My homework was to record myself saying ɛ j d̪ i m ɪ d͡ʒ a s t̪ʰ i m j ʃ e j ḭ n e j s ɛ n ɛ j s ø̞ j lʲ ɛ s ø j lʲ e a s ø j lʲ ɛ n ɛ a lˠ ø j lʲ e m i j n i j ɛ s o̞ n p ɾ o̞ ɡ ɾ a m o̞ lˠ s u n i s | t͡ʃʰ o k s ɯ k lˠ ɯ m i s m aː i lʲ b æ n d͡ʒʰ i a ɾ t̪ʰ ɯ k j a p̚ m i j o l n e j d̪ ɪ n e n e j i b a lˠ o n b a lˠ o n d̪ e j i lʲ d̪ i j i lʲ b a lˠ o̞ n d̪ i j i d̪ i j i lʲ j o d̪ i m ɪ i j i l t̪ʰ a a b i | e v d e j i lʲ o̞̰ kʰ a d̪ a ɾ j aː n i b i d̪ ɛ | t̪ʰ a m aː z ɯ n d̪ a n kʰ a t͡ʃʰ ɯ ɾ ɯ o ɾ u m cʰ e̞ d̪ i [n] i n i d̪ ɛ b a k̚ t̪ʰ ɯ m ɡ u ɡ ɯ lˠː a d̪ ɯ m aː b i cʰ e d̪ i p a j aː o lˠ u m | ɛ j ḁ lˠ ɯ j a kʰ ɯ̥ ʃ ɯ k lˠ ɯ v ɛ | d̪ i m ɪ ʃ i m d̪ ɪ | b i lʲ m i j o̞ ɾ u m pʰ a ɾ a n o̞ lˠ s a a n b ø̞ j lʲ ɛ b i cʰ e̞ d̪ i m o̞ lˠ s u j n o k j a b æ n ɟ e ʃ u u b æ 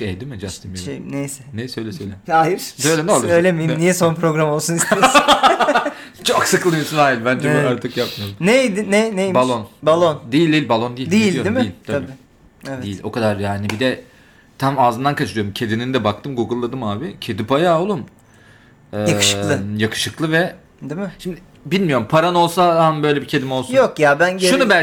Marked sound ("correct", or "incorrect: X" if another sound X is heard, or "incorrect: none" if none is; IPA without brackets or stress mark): correct